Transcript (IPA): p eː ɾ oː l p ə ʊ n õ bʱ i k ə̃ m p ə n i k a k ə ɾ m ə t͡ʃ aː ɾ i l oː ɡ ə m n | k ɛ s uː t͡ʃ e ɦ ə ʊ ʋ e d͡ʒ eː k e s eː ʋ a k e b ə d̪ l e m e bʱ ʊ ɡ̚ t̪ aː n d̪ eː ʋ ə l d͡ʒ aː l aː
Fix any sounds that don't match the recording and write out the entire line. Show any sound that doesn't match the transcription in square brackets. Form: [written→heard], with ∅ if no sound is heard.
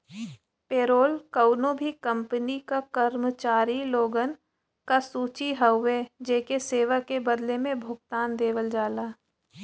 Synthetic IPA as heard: p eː ɾ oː l [p→k] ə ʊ n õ bʱ i k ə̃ m p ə n i k a k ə ɾ m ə t͡ʃ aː ɾ i l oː ɡ ə [m→∅] n | k [ɛ→a] s uː t͡ʃ [e→i] ɦ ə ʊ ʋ e d͡ʒ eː k e s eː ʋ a k e b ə d̪ l e m [e→ẽ] bʱ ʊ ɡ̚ t̪ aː n d̪ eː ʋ ə l d͡ʒ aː l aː